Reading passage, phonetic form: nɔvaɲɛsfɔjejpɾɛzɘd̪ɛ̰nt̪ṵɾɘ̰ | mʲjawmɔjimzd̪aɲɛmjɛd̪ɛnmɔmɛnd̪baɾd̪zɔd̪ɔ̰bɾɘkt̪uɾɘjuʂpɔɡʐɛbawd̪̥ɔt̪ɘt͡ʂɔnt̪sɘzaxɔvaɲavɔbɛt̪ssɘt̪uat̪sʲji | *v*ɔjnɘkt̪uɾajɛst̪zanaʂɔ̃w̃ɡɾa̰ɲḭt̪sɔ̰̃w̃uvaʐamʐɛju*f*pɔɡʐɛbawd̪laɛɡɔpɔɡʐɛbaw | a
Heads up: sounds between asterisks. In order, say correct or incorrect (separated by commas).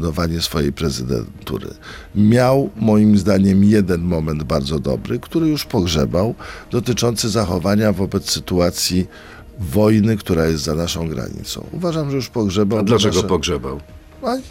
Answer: correct, incorrect